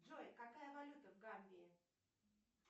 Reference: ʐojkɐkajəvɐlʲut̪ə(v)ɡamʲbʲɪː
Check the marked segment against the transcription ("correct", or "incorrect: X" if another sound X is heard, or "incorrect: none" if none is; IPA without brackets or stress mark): correct